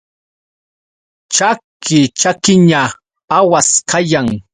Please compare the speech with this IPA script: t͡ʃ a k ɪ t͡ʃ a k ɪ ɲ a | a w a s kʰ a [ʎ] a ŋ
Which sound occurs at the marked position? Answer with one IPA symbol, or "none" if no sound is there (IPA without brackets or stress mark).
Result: j